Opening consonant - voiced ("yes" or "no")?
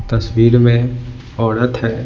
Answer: no